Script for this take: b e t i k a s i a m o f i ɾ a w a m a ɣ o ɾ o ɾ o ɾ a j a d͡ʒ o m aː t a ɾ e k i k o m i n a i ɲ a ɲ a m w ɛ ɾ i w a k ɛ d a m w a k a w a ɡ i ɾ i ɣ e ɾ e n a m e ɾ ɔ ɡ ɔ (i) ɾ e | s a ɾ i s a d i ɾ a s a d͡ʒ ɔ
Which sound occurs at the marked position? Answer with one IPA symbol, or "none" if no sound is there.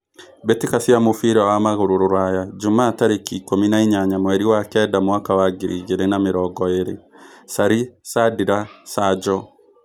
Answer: e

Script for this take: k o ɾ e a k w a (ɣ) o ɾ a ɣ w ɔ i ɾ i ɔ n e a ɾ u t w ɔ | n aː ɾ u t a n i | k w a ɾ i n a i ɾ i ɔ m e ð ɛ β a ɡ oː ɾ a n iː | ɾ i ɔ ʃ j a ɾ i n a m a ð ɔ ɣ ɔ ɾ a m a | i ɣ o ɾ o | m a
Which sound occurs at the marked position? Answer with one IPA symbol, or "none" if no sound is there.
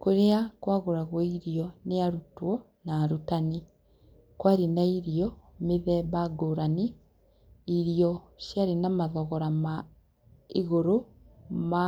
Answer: ɣ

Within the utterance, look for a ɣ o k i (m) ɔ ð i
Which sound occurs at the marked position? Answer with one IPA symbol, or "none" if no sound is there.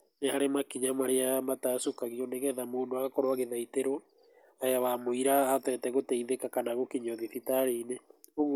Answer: ɲ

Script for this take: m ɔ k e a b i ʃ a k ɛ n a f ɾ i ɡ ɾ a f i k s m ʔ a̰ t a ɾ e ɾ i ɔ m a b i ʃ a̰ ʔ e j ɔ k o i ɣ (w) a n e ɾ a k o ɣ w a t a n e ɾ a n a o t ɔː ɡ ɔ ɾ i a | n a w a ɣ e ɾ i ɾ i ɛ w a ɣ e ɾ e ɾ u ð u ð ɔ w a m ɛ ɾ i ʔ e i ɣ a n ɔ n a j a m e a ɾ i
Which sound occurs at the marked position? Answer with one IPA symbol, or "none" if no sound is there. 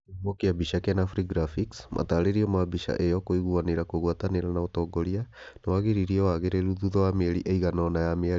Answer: u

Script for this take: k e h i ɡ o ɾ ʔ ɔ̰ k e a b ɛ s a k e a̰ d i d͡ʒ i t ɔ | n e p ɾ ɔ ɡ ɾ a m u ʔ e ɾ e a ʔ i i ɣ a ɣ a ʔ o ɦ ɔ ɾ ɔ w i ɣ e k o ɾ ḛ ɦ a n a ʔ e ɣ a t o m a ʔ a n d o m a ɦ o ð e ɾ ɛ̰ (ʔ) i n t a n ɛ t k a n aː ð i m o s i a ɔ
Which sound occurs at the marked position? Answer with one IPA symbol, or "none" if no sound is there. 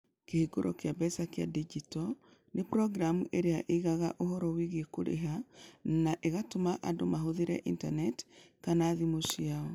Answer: ʔ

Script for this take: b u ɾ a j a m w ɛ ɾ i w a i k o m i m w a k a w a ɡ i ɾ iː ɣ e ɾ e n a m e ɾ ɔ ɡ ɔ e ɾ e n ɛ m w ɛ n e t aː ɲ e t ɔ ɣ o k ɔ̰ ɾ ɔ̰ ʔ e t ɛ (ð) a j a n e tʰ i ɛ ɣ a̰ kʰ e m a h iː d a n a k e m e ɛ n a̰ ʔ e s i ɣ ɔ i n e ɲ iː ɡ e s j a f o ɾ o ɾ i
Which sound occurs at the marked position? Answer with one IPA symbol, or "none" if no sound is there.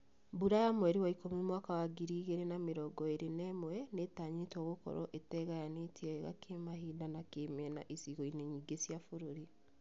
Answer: ɣ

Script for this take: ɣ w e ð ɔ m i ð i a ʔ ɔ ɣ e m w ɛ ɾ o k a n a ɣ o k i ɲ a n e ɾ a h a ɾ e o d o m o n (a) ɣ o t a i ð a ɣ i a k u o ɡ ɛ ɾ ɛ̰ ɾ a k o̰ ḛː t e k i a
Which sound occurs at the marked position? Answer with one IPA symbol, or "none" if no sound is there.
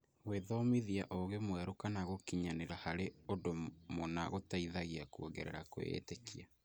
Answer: a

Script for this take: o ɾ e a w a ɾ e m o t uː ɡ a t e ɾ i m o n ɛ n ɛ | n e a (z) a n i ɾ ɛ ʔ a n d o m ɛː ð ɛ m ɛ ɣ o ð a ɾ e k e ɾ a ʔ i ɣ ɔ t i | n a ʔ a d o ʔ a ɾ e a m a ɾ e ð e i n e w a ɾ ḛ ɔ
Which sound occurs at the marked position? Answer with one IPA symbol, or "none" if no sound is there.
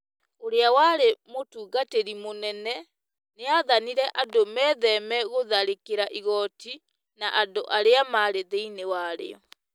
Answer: ð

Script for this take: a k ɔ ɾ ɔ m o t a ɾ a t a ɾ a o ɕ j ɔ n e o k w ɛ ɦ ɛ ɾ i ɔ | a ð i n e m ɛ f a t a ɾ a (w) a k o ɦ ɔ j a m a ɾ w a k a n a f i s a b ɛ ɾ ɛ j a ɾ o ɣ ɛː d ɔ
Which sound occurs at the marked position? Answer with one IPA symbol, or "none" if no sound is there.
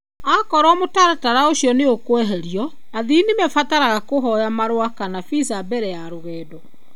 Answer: ɣ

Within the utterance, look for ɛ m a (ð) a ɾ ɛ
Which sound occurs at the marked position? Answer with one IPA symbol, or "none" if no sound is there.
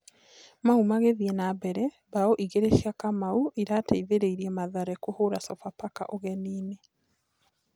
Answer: ð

